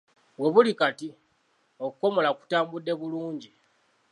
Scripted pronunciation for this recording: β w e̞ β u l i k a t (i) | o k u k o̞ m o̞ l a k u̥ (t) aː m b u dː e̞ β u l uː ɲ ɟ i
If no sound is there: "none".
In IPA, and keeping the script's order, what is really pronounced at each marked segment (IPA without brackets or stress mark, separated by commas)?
i, t